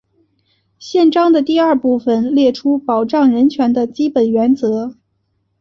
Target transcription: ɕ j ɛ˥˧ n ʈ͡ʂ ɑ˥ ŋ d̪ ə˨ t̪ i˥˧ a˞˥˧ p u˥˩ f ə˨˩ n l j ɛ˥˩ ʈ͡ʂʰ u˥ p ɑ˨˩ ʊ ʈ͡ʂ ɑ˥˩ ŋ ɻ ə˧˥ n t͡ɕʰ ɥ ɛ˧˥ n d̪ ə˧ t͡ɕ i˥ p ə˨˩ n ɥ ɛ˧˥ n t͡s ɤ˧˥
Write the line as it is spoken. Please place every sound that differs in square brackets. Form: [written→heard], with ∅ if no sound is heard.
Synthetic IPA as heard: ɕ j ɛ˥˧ n ʈ͡ʂ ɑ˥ ŋ d̪ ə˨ t̪ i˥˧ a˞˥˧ p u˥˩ f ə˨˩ n l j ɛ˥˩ ʈ͡ʂʰ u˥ p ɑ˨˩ ʊ ʈ͡ʂ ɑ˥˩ ŋ ɻ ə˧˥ n t͡ɕʰ ɥ ɛ˧˥ n d̪ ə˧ t͡ɕ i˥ p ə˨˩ n ɥ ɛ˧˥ n t͡s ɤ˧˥